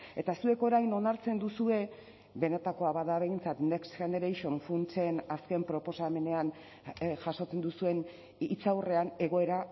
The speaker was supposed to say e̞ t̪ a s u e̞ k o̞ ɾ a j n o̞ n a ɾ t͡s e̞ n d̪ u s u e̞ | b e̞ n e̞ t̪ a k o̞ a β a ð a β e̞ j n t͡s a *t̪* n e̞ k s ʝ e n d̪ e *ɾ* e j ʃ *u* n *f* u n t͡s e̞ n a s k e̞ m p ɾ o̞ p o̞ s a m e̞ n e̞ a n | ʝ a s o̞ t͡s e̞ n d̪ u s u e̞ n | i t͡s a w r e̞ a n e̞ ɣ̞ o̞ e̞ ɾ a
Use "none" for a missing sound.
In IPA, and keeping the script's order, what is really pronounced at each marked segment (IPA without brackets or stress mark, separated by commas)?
t̪, ɾ, o, f